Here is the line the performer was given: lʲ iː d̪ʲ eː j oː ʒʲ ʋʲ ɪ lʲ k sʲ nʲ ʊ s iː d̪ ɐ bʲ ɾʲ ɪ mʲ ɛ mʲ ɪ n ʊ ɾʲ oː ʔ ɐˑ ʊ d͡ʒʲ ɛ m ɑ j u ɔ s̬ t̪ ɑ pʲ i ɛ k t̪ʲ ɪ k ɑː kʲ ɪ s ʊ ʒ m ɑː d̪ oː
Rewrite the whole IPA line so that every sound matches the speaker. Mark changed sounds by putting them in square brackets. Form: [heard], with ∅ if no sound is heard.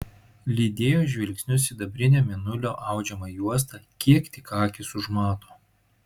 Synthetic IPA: lʲ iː d̪ʲ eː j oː ʒʲ ʋʲ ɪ lʲ k sʲ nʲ ʊ s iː d̪ ɐ bʲ ɾʲ ɪ [nʲ] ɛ mʲ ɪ n ʊ [lʲ] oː ʔ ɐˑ ʊ d͡ʒʲ ɛ m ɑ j u ɔ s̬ t̪ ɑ [kʲ] i ɛ k t̪ʲ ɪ k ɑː kʲ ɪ s ʊ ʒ m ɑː [t̪] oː